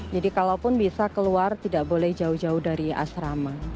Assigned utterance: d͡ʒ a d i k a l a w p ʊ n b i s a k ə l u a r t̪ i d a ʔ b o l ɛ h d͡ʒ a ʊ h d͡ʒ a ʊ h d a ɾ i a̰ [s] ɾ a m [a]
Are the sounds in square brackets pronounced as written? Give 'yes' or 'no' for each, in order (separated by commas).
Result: yes, yes